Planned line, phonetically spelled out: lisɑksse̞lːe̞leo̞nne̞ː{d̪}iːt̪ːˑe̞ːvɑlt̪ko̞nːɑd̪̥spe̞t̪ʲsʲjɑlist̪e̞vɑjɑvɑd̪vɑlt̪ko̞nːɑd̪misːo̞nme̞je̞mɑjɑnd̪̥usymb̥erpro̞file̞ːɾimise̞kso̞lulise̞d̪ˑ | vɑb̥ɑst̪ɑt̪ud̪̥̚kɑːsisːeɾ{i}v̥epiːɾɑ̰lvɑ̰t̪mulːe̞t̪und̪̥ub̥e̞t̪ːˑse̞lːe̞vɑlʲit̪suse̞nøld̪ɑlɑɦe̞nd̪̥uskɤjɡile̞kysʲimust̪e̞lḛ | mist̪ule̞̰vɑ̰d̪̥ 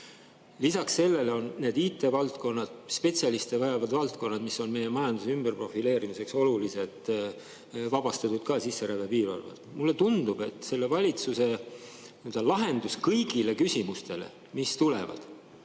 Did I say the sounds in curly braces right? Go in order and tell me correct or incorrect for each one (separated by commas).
correct, incorrect